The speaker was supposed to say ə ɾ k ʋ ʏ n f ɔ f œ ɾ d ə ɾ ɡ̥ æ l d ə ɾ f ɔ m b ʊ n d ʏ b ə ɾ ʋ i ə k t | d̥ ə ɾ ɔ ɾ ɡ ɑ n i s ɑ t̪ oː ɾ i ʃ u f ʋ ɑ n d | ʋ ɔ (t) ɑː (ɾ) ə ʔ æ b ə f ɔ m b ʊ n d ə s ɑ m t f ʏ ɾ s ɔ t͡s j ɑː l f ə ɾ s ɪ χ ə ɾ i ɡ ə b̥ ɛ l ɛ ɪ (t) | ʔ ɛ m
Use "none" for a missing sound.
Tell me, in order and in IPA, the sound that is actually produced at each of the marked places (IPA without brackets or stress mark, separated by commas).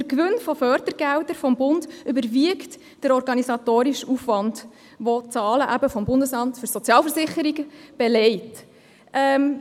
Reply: t͡s, l, t